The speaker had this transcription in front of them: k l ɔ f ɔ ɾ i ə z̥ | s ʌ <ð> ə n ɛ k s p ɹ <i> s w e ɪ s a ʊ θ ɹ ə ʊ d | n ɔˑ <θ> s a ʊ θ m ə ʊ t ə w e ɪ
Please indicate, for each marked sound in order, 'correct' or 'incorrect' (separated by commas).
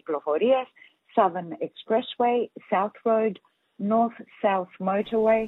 correct, incorrect, correct